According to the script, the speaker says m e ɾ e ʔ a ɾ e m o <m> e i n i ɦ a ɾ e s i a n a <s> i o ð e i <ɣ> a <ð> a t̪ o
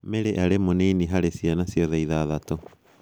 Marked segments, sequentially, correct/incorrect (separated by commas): incorrect, correct, incorrect, correct